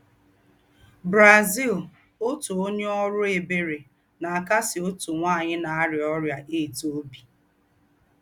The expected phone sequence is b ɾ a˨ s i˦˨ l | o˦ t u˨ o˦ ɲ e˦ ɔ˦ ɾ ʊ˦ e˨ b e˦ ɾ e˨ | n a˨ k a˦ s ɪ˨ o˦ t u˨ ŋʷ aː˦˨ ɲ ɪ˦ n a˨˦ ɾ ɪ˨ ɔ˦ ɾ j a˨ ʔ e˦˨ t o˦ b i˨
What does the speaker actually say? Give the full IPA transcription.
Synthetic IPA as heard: b ɾ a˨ z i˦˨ l | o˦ t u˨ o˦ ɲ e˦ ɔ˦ ɾ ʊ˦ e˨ b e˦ ɾ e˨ | n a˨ k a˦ s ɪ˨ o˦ t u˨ ŋʷ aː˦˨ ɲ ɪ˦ n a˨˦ ɾ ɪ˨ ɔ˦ ɾ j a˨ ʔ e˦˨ t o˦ b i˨